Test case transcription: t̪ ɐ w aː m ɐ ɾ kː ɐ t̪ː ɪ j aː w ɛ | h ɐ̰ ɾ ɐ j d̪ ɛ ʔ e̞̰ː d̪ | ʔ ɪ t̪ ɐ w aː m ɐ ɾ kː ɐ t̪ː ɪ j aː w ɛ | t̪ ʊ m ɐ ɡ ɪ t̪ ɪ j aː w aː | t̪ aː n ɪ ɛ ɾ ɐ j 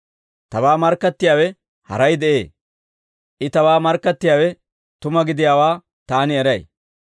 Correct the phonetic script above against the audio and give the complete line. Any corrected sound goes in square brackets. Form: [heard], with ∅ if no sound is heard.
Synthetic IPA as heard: t̪ ɐ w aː m ɐ ɾ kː ɐ t̪ː ɪ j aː w ɛ | h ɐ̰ ɾ ɐ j d̪ ɛ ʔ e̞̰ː [∅] | ʔ ɪ t̪ ɐ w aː m ɐ ɾ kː ɐ t̪ː ɪ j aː w ɛ | t̪ ʊ m ɐ ɡ ɪ [d̪] ɪ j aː w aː | t̪ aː n ɪ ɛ ɾ ɐ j